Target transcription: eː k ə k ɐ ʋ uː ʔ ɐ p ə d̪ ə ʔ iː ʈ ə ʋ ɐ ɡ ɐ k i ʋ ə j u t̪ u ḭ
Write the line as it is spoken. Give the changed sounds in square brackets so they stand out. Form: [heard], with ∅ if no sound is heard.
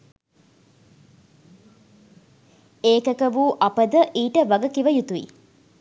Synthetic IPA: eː k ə k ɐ ʋ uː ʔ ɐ p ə d̪ ə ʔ iː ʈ ə ʋ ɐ ɡ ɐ k i ʋ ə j u t̪ u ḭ